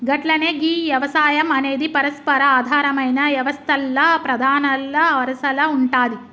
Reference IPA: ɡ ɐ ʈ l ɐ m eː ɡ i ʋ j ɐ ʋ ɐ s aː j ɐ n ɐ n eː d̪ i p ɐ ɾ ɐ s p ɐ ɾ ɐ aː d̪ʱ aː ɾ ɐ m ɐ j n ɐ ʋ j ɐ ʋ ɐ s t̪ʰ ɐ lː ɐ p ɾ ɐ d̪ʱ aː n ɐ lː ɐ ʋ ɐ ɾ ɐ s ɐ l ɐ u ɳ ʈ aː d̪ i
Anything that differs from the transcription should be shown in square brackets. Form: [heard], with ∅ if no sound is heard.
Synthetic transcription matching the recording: ɡ ɐ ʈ l ɐ [n] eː ɡ i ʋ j ɐ ʋ ɐ s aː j ɐ [m] ɐ n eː d̪ i p ɐ ɾ ɐ s p ɐ ɾ ɐ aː d̪ʱ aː ɾ ɐ m ɐ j n ɐ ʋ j ɐ ʋ ɐ s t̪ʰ ɐ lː ɐ p ɾ ɐ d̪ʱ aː n ɐ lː ɐ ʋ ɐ ɾ ɐ s ɐ l ɐ u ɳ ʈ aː d̪ i